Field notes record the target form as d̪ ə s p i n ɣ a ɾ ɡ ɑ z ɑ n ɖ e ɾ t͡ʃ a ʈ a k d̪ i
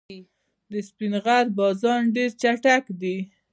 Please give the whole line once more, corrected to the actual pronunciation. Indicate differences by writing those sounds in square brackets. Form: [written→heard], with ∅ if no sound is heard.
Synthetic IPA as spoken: d̪ ə s p i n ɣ a ɾ [ɡ→b] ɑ z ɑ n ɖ e ɾ t͡ʃ a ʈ a k d̪ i